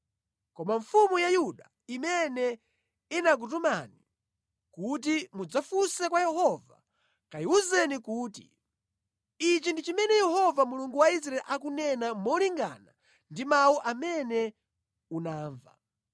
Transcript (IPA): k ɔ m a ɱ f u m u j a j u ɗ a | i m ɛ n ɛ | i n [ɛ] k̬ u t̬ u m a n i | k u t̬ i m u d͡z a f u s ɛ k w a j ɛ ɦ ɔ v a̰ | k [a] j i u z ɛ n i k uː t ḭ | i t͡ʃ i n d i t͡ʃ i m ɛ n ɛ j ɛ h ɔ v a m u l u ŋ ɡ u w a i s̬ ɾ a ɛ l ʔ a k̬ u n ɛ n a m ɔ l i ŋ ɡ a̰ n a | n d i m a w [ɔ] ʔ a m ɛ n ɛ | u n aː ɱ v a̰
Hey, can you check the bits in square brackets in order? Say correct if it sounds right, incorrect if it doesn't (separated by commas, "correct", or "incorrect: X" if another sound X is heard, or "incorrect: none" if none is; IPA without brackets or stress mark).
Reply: incorrect: a, correct, incorrect: u